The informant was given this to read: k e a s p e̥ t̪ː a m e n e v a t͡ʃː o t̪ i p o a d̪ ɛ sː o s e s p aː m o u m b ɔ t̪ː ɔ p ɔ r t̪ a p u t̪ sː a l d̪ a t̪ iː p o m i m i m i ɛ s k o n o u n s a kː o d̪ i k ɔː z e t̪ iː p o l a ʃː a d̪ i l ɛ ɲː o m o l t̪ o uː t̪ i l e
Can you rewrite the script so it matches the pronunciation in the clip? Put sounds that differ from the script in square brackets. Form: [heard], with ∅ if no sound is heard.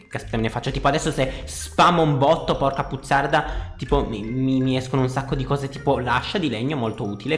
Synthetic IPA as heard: k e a s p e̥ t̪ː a m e n e [f] a t͡ʃː o t̪ [iː] p o a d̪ ɛ sː o s e s p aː m o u m b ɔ t̪ː [o] p ɔ r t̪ a p u t̪ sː a [r] d̪ a t̪ iː p o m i m i m i ɛ s k o n o u n s a kː o d̪ i k ɔː z e t̪ iː p o l a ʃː a d̪ i l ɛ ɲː o m o l t̪ o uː t̪ i l e